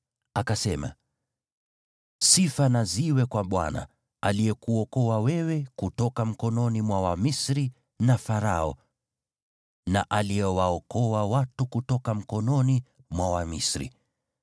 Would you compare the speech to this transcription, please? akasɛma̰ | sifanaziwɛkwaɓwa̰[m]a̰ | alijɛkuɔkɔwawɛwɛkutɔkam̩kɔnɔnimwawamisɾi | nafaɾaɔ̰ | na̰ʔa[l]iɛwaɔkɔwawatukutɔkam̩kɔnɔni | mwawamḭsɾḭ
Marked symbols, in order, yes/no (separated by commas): no, yes